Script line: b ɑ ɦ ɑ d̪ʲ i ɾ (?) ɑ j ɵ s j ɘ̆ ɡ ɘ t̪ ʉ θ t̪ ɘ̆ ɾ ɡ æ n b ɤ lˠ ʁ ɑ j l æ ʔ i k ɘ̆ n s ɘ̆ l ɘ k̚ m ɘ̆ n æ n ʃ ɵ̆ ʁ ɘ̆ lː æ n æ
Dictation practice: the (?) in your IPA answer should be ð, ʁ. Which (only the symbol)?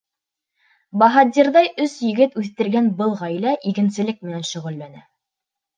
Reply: ð